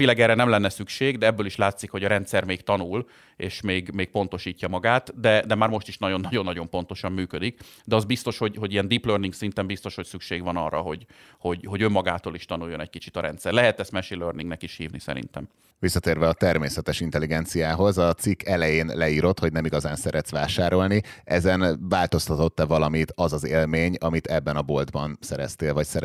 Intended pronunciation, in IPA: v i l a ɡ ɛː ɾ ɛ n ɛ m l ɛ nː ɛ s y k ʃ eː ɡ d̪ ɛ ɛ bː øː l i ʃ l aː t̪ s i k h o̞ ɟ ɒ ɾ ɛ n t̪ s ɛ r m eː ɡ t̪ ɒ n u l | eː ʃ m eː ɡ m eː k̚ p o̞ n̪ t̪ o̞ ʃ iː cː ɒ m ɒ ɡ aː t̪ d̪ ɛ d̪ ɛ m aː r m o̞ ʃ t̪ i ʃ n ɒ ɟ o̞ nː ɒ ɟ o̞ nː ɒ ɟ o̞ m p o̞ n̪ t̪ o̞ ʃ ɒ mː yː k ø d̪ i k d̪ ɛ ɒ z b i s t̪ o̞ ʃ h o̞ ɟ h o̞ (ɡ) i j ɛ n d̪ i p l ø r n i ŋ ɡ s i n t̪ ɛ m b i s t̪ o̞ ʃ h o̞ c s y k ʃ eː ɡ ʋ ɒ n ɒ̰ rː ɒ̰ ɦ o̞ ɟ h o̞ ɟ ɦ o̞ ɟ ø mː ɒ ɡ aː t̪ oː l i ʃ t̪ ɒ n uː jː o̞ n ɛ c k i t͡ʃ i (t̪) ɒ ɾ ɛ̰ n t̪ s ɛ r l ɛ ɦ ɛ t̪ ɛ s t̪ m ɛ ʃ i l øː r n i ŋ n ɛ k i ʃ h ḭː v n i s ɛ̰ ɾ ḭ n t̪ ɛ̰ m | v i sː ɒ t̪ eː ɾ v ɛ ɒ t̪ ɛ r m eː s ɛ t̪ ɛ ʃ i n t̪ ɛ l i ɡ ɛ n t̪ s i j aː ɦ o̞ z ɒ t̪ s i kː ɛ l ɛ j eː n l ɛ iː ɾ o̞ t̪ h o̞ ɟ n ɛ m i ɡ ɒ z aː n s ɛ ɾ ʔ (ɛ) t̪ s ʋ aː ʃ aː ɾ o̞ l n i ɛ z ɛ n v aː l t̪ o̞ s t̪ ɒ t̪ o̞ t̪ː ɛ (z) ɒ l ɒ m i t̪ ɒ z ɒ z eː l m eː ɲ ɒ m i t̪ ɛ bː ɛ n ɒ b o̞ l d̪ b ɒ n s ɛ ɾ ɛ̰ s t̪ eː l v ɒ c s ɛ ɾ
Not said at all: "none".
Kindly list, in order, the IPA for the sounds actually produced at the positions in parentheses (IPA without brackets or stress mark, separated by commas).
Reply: ɟ, t̪, ɛ, v